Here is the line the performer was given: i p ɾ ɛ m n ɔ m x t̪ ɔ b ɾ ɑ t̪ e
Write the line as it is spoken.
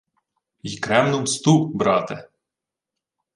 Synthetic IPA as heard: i k ɾ ɛ m n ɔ m s t̪ u b ɾ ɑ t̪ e